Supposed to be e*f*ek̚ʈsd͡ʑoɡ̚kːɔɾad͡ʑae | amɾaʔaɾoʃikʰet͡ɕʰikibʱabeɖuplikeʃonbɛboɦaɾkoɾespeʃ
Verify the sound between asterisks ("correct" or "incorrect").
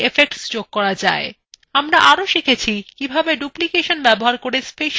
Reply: correct